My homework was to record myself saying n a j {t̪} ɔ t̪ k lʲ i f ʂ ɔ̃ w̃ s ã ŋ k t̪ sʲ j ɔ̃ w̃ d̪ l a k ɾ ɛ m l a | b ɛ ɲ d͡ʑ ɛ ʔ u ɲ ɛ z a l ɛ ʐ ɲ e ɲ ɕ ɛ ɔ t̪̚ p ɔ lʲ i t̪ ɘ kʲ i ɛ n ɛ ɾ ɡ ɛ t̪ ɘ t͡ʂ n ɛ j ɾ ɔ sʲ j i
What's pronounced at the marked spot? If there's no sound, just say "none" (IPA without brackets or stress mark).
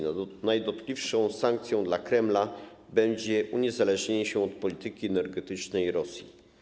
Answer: d̪